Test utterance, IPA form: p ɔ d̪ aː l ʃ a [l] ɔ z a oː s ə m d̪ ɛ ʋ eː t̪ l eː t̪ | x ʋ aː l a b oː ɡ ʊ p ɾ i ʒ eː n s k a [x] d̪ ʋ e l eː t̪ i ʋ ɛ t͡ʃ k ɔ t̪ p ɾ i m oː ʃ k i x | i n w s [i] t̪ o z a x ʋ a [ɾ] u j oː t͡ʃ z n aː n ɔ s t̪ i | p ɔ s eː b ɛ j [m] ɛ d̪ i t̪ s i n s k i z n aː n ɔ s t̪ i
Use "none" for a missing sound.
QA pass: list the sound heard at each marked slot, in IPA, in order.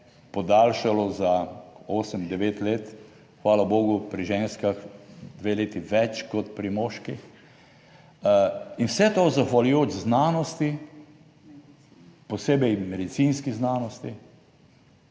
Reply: l, x, ɛ, l, m

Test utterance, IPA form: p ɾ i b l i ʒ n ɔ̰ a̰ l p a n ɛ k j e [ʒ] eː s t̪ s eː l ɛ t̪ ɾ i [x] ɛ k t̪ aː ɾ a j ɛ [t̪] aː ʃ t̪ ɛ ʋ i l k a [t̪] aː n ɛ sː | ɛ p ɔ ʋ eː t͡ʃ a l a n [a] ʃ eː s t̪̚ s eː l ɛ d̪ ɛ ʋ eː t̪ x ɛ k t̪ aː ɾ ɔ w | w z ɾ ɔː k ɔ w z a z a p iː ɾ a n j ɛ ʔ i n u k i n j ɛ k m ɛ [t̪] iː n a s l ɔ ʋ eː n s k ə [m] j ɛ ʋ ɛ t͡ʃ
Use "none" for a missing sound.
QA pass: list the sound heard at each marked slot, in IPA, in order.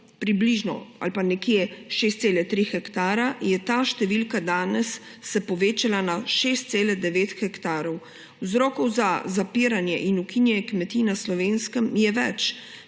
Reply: ʃ, x, t̪, d̪, a, t̪, m

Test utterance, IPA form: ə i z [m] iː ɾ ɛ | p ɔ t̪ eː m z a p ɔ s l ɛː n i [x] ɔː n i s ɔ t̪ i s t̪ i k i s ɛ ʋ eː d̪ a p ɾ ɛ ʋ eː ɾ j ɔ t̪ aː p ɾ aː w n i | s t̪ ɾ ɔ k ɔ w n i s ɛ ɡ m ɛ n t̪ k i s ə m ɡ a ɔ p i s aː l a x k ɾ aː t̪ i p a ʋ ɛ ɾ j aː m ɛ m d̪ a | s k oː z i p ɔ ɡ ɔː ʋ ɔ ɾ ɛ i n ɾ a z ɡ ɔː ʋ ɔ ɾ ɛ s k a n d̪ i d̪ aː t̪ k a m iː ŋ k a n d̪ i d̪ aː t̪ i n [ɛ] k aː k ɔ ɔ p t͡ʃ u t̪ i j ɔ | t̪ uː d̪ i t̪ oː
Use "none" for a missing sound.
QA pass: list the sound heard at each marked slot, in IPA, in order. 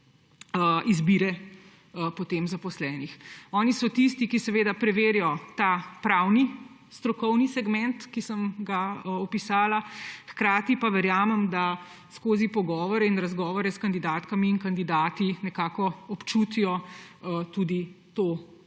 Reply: b, x, ɛ

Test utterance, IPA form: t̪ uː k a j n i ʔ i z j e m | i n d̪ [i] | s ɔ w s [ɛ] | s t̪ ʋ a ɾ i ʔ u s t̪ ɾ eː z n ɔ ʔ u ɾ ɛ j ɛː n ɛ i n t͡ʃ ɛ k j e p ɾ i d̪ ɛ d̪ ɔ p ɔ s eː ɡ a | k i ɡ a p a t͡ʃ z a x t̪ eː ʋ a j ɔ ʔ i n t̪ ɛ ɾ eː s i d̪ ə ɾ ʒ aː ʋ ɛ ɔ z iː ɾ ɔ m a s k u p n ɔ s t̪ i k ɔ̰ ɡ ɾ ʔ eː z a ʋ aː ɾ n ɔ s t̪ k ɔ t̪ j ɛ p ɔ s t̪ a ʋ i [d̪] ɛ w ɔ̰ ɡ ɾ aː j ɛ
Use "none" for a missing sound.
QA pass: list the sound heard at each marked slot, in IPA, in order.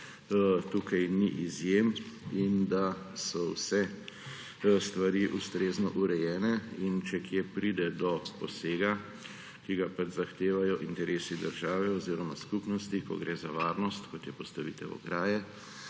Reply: a, ɛ, t̪

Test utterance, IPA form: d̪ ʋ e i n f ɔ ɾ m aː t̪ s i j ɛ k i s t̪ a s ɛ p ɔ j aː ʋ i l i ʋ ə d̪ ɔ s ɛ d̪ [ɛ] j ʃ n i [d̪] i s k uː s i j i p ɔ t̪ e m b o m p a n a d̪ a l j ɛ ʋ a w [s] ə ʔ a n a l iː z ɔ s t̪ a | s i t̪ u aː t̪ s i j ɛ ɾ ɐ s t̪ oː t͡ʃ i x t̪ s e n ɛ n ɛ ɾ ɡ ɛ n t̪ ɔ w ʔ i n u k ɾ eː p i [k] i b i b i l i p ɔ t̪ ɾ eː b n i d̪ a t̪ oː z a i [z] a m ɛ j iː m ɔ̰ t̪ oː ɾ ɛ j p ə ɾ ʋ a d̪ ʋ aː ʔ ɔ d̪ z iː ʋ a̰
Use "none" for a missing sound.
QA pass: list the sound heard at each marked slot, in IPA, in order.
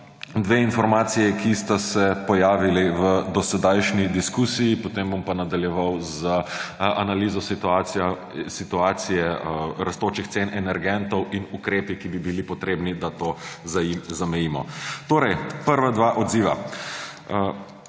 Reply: a, d̪, z, k, z

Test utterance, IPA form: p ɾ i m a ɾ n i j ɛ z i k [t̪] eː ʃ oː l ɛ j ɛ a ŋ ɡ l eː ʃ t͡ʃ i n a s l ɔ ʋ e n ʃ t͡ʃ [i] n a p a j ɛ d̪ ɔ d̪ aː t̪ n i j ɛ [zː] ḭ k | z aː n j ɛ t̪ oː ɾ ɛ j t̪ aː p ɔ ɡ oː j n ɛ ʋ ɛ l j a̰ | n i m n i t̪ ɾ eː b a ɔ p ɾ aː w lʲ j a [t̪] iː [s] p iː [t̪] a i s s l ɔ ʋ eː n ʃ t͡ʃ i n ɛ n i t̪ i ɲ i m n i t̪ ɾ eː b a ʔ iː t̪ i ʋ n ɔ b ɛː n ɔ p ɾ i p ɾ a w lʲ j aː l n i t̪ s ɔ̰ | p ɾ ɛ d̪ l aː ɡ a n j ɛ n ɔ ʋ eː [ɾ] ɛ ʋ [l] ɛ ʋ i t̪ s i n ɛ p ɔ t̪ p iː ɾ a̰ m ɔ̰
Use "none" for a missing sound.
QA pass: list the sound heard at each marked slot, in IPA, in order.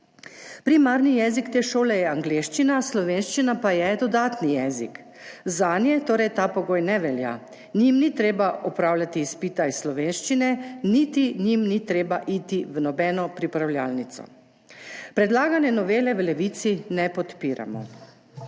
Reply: t̪, i, z, t̪, s, t̪, l, l

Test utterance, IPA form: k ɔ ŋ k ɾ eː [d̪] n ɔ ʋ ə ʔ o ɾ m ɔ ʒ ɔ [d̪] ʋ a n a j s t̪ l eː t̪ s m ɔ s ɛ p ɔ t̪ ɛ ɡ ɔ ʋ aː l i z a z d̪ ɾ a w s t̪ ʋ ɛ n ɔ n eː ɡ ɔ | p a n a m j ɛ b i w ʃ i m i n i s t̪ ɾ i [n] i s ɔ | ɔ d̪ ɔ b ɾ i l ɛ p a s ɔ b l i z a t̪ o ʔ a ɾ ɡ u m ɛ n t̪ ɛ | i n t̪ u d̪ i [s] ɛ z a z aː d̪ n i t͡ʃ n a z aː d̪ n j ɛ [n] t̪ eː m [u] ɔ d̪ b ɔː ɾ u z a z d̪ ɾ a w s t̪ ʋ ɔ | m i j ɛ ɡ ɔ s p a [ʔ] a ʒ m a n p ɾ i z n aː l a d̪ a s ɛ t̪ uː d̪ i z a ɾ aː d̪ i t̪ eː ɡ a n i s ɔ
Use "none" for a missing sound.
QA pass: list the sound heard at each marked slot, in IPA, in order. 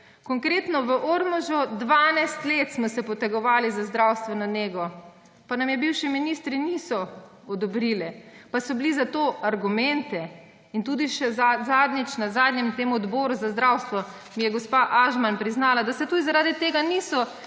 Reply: t̪, d̪, n, ʃ, m, u, ʔ

